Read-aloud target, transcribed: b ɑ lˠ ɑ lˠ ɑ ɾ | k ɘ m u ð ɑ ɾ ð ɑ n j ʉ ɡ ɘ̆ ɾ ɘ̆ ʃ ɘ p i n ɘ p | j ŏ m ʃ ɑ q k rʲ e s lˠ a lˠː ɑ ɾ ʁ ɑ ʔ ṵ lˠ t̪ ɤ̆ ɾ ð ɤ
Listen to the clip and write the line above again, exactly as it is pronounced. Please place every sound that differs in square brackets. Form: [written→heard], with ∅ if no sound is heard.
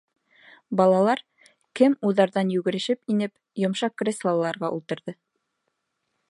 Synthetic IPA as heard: b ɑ lˠ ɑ lˠ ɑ ɾ | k ɘ m u ð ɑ ɾ ð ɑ n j ʉ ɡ ɘ̆ ɾ ɘ̆ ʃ ɘ p i n ɘ p | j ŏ m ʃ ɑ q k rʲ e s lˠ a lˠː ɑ ɾ ʁ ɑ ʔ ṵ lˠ t̪ ɤ̆ ɾ ð ɤ